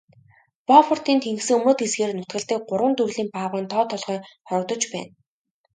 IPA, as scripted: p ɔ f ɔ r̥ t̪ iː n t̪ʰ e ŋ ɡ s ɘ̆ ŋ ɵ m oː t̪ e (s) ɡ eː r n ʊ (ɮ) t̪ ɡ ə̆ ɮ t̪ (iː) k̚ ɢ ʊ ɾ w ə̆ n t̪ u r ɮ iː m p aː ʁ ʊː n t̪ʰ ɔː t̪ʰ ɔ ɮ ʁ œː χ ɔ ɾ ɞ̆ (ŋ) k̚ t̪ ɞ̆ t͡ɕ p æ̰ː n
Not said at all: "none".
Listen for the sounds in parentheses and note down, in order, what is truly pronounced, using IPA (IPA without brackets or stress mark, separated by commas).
s, none, iː, none